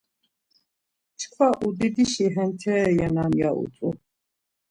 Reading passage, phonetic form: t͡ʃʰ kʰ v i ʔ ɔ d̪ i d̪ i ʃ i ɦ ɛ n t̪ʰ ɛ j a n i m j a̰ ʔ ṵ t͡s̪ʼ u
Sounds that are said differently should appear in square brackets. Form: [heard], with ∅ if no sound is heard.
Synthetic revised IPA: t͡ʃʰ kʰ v [a] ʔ [u] d̪ i d̪ i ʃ i ɦ ɛ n t̪ʰ ɛ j a n [a] m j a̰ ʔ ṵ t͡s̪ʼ u